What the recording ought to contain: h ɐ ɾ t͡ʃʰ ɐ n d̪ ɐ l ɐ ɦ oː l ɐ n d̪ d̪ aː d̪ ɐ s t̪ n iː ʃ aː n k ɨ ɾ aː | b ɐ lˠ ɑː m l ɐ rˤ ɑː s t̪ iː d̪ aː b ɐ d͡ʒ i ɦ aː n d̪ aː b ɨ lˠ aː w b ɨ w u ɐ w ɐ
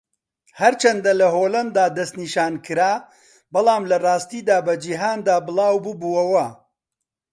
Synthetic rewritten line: h ɐ ɾ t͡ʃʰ ɐ n d̪ ɐ l ɐ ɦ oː l ɐ n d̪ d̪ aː d̪ ɐ s t̪ n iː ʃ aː n k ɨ ɾ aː | b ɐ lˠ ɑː m l ɐ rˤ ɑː s t̪ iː d̪ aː b ɐ d͡ʒ i ɦ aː n d̪ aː b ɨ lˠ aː w b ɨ b u ɐ w ɐ

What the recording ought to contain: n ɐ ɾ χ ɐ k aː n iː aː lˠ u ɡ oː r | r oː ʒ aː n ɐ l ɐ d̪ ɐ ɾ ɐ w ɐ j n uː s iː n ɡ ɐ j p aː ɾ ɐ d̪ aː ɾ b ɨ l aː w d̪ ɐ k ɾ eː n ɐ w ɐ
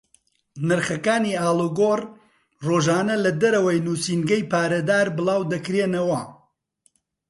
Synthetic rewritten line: n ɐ ɾ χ ɐ k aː n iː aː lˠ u ɡ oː r | r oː ʒ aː n ɐ l ɐ d̪ ɐ ɾ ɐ w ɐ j n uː s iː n ɡ ɐ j p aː ɾ ɐ d̪ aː ɾ b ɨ l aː w d̪ ɐ k ɾ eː n ɐ w ɐ

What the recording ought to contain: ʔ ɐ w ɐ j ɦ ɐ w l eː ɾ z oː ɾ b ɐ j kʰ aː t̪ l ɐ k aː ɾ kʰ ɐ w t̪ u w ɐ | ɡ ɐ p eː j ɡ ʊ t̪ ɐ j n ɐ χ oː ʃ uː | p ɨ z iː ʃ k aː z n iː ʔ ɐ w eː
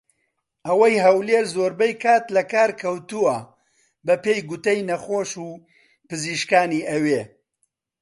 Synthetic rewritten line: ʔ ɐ w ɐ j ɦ ɐ w l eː ɾ z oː ɾ b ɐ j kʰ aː t̪ l ɐ k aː ɾ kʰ ɐ w t̪ u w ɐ | b ɐ p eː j ɡ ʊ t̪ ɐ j n ɐ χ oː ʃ uː | p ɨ z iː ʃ k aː n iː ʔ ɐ w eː

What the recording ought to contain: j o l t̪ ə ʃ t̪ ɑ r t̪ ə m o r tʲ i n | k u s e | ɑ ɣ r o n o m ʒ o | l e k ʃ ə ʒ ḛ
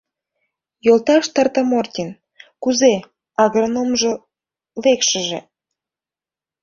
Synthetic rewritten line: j o l t̪ ɑ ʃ t̪ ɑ r t̪ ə m o r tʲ i n | k u z e | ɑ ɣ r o n o m ʒ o | l e k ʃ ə ʒ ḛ

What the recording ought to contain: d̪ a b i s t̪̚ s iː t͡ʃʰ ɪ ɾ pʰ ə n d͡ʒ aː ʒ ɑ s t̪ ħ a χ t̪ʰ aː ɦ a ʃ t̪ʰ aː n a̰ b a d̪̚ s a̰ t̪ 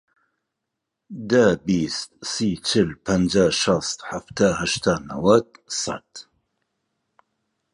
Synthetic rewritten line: d̪ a b i s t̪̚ s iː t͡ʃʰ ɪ l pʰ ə n d͡ʒ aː ʃ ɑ s t̪ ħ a f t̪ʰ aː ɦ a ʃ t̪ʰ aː n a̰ w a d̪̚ s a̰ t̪

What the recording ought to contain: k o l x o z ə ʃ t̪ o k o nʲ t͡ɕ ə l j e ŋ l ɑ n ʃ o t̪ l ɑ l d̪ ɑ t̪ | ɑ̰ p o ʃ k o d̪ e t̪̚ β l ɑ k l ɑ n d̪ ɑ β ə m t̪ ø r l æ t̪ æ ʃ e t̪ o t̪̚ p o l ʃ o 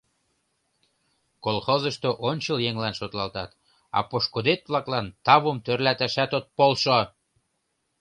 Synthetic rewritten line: k o l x o z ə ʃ t̪ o ʔ o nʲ t͡ɕ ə l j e ŋ l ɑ n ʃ o t̪ l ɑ l t̪ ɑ t̪ | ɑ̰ p o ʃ k o d̪ e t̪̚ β l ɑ k l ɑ n t̪ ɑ β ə m t̪ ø r l æ t̪ æ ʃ æ t̪ o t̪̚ p o l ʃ o

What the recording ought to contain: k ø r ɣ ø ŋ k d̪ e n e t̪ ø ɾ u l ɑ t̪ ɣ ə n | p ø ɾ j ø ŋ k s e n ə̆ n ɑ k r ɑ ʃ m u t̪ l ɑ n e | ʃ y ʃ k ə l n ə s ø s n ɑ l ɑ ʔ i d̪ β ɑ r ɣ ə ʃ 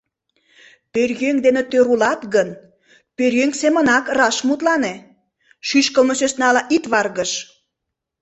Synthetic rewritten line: p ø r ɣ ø ŋ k d̪ e n e t̪ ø ɾ u l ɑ t̪ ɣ ə n | p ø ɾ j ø ŋ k s e m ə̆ n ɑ k r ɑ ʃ m u t̪ l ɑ n e | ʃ y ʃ k ə l m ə s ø s n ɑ l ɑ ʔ i t̪ β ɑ r ɣ ə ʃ

